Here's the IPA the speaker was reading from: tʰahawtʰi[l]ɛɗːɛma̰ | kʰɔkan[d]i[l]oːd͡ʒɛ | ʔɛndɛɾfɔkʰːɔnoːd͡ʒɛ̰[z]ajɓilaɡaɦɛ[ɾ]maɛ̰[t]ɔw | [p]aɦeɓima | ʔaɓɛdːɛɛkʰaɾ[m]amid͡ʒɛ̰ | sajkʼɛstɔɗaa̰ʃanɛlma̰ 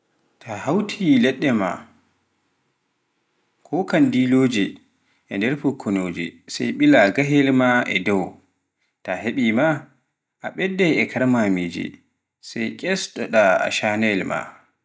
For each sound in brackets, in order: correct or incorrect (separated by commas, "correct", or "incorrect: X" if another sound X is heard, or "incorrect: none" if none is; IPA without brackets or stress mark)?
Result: correct, correct, correct, incorrect: s, incorrect: l, incorrect: d, incorrect: t, correct